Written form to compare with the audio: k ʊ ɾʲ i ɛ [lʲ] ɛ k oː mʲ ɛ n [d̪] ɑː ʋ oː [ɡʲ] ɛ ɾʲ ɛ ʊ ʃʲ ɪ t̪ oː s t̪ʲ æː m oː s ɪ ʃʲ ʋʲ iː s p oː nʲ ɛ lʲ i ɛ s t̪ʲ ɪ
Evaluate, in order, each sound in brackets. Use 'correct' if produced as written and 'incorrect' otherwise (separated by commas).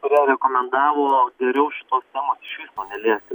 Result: incorrect, correct, correct